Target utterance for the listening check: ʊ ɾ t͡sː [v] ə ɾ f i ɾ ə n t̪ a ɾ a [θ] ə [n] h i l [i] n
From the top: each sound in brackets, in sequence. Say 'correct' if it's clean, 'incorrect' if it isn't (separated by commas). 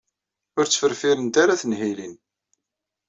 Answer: incorrect, correct, correct, correct